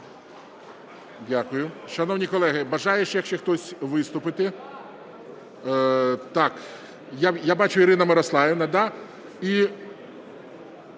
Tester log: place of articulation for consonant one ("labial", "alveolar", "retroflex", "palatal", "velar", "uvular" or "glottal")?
alveolar